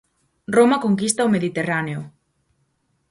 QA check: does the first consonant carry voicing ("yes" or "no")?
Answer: yes